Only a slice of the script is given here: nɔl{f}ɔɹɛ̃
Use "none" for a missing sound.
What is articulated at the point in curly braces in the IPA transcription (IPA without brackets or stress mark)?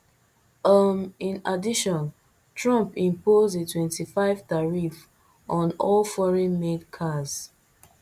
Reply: f